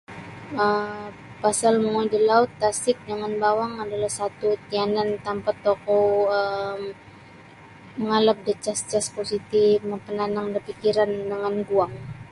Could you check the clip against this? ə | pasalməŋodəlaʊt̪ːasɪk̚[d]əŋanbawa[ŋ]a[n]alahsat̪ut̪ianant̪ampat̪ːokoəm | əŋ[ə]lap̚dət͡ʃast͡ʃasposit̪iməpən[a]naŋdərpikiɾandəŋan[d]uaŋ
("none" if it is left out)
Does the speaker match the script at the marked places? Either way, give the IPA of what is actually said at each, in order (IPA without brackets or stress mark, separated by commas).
d, ŋ, d, a, a, ɡ